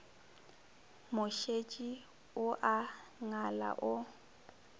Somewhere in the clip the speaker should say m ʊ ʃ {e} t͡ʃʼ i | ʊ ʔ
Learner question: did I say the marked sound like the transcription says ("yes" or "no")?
yes